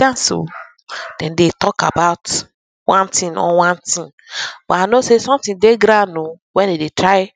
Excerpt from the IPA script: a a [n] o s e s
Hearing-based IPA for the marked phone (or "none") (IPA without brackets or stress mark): n